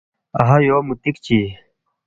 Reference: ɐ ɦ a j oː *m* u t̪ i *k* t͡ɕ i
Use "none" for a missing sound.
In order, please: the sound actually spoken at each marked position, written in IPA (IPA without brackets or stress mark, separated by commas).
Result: m, k